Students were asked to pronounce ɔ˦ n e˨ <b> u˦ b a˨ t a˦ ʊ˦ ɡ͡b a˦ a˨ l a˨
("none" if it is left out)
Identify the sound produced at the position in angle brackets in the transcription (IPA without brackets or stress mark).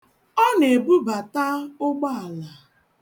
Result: b